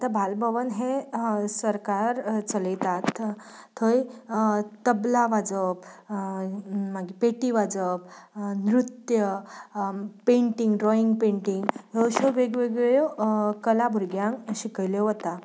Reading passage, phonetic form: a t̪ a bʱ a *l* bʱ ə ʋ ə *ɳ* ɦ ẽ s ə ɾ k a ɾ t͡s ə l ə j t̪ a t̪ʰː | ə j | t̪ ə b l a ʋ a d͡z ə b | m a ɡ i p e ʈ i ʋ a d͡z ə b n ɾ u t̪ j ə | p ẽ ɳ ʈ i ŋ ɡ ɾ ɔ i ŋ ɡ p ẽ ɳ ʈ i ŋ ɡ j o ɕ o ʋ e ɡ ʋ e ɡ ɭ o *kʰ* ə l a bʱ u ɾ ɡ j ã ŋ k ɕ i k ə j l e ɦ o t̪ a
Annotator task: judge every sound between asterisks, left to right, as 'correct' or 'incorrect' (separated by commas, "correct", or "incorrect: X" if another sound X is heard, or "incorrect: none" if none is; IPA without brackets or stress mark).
correct, incorrect: n, incorrect: k